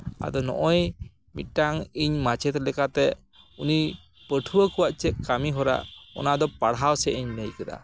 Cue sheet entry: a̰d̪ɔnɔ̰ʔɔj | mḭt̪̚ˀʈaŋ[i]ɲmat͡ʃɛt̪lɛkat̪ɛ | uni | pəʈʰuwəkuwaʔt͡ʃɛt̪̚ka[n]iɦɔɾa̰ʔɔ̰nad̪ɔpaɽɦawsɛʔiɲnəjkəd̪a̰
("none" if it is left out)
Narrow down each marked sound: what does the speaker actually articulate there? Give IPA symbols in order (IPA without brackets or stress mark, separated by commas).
i, m